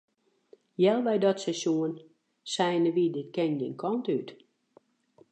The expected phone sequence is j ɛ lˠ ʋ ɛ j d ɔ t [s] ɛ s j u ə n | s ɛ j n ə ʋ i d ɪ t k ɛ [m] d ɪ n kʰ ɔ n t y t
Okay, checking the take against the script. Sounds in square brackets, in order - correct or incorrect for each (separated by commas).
correct, incorrect